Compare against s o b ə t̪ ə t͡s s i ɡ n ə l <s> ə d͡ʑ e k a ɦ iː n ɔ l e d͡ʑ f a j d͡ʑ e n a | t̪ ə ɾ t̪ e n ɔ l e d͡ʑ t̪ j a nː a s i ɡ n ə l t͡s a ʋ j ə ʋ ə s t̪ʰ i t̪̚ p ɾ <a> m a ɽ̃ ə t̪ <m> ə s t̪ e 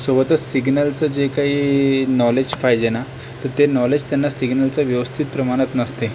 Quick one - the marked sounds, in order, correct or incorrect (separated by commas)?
incorrect, incorrect, incorrect